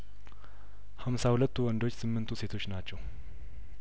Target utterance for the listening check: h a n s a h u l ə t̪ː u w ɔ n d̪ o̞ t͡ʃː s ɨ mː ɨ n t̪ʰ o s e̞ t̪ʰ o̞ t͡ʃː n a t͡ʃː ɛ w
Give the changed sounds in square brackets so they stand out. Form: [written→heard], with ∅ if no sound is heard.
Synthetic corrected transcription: h a [n→m] s a h u l ə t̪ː u w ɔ n d̪ o̞ t͡ʃː s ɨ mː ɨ n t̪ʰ [o→u] s e̞ t̪ʰ o̞ t͡ʃː n a t͡ʃː ɛ w